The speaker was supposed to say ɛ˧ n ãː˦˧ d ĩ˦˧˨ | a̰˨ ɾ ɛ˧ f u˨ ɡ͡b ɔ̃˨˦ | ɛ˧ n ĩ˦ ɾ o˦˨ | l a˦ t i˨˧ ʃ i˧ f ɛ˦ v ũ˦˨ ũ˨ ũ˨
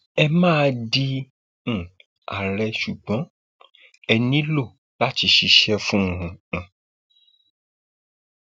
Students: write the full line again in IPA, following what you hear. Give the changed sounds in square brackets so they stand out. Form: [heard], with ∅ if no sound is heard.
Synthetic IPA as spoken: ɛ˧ [m] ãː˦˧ d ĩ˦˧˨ | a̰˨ ɾ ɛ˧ [ʃ] u˨ ɡ͡b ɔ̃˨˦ | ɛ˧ n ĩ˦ [l] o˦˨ | l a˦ t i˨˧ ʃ i˧ [ʃ] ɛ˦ [f] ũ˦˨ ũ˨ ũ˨